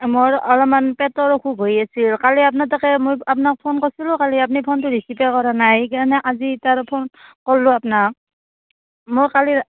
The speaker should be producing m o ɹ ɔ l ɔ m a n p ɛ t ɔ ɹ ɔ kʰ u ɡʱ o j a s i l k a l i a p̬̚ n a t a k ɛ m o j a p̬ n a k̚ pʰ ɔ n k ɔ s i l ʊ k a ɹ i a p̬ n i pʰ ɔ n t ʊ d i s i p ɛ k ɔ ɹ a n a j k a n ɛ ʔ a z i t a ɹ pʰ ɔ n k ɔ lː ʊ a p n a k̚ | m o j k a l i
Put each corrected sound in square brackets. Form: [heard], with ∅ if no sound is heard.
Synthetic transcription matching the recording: m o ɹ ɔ l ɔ m a n p ɛ t ɔ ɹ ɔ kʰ u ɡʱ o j a s i l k a l i a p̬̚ n a t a k ɛ m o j a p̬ n a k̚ pʰ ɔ n k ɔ s i l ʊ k a [l] i a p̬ n i pʰ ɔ n t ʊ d i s i p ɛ k ɔ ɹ a n a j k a n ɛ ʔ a z i t a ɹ pʰ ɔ n k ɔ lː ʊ a p n a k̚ | m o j k a l i